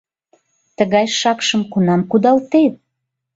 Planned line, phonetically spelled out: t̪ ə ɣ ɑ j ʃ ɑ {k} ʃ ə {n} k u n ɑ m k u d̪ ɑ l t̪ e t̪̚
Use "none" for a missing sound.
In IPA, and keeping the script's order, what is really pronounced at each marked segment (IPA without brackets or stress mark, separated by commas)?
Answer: k, m